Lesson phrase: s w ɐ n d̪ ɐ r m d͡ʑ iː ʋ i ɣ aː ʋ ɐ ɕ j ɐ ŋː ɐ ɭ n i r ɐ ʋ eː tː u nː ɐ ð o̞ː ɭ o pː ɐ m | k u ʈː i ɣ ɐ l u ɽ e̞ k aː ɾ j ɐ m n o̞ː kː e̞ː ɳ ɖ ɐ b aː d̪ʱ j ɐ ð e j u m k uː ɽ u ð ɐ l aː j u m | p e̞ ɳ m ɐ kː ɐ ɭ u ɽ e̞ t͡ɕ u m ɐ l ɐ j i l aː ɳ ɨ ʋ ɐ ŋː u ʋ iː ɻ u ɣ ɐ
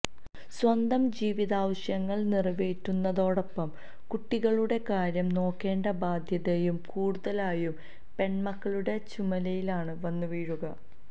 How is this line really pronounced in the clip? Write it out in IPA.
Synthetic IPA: s w ɐ n d̪ ɐ m d͡ʑ iː ʋ i ð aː ʋ ɐ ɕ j ɐ ŋː ɐ ɭ n i r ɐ ʋ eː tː u nː ɐ ð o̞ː ɽ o pː ɐ m | k u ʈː i ɣ ɐ ɭ u ɽ e̞ k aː ɾ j ɐ m n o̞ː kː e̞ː ɳ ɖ ɐ b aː d̪ʱ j ɐ ð e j u m k uː ɽ u ð ɐ l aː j u m | p e̞ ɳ m ɐ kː ɐ ɭ u ɽ e̞ t͡ɕ u m ɐ l ɐ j i l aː ɳ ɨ ʋ ɐ nː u ʋ iː ɻ u ɣ ɐ